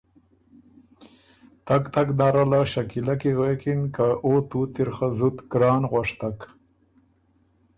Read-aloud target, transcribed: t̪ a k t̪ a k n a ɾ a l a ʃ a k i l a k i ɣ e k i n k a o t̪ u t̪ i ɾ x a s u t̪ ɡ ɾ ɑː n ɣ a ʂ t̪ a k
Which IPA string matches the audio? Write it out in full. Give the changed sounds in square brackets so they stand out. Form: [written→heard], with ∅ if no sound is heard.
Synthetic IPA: t̪ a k t̪ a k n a ɾ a l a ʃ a k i l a k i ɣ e k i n k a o t̪ u t̪ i ɾ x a [s→z] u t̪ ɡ ɾ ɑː n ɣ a ʂ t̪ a k